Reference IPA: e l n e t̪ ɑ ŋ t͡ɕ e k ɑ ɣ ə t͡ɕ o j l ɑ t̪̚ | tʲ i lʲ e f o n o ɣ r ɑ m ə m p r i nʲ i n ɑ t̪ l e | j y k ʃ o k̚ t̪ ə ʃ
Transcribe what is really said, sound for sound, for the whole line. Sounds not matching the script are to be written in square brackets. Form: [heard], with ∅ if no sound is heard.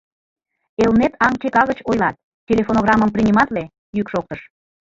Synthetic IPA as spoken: e l n e t̪ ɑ ŋ t͡ɕ e k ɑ ɣ ə t͡ɕ o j l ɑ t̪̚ | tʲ [e] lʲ e f o n o ɣ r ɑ m ə m p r i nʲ i [m] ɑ t̪ l e | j y k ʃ o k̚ t̪ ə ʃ